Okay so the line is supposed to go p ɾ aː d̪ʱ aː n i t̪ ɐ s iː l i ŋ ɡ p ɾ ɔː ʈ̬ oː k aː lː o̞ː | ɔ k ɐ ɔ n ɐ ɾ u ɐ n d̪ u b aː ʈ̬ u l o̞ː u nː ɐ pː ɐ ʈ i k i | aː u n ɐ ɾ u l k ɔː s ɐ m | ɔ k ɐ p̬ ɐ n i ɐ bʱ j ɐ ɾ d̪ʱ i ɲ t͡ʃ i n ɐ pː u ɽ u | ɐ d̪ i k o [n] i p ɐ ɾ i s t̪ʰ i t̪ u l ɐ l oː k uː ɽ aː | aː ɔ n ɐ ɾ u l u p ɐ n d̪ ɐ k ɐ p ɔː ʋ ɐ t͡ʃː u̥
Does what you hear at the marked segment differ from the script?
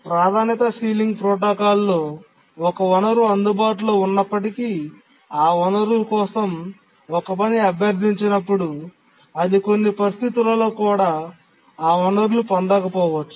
yes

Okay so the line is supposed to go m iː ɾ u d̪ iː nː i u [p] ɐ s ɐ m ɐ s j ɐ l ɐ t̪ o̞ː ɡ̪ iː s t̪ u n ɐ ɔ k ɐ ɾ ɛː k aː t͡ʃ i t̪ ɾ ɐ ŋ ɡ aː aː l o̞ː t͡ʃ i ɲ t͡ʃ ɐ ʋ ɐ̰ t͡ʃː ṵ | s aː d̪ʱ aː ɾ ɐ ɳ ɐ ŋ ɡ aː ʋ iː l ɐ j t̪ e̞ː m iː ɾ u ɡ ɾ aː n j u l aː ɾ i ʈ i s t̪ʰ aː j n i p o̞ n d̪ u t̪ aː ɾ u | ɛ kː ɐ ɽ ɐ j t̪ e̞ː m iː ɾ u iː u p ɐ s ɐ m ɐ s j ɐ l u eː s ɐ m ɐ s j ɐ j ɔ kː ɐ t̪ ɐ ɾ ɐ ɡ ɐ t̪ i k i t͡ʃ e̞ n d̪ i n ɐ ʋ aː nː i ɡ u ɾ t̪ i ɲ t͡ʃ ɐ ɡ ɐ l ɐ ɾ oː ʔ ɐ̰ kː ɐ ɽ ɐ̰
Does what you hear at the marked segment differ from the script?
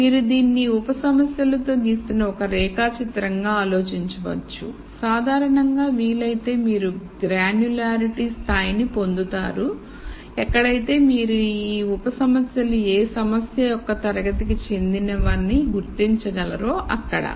no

